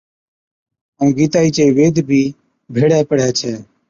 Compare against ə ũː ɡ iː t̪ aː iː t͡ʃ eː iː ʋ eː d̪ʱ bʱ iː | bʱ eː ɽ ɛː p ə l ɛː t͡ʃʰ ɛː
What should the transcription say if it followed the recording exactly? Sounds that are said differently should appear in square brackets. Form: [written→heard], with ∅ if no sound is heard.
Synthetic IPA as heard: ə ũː ɡ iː t̪ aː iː t͡ʃ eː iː ʋ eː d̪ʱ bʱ iː | bʱ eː ɽ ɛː p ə [l→ɽ] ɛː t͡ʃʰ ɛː